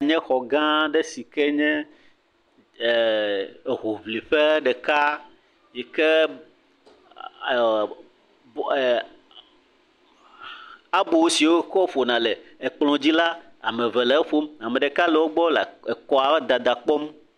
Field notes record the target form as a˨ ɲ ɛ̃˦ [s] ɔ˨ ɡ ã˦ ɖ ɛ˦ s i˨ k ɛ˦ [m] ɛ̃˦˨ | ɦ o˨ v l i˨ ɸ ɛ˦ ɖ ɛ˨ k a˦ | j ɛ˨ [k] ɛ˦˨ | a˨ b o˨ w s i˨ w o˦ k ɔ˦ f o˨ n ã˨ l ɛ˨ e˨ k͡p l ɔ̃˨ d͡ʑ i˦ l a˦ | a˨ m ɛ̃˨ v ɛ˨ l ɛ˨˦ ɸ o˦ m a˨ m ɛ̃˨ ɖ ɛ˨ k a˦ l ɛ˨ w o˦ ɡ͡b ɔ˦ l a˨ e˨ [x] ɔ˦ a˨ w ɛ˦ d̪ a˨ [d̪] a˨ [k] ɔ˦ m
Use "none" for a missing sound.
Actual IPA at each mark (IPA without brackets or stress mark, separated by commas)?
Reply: x, ɲ, k, k, d̪, k͡p